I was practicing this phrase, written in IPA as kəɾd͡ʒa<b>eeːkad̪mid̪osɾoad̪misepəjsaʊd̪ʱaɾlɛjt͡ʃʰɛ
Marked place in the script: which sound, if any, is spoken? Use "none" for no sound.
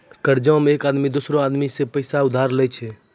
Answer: m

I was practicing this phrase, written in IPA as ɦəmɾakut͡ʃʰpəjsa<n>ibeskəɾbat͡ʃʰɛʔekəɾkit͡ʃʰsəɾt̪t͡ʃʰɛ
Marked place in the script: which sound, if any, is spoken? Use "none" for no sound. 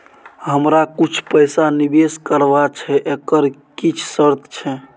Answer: n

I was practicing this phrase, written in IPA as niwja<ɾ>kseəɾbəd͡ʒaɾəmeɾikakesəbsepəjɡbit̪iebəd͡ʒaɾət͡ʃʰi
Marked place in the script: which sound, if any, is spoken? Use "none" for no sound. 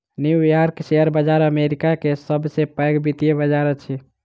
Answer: ɾ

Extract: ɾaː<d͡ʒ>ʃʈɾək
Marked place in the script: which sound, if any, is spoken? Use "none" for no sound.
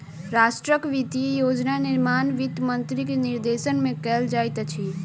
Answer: none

